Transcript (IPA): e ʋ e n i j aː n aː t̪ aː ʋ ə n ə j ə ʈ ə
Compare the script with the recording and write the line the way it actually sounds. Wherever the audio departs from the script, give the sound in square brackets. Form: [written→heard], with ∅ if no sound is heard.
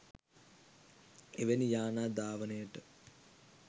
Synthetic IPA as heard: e ʋ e n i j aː n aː [t̪→d̪] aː ʋ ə n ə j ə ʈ ə